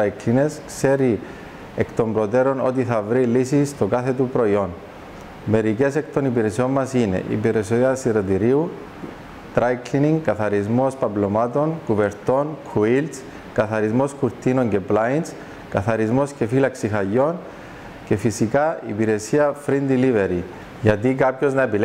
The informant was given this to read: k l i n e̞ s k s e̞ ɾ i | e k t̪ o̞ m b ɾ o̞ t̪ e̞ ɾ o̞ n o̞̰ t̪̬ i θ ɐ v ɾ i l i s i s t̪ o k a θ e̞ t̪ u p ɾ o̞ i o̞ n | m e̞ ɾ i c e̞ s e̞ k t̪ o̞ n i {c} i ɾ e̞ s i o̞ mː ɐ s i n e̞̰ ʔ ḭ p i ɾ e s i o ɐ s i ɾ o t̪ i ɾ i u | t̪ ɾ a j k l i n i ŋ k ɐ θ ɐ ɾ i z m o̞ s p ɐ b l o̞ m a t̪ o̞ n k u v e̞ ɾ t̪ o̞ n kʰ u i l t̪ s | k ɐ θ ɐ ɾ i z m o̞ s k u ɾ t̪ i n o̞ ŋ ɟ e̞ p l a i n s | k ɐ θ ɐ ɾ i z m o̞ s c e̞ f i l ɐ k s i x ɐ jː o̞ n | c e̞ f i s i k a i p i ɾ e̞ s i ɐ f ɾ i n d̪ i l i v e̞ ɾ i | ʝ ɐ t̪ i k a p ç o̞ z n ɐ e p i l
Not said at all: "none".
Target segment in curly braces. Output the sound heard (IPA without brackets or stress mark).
p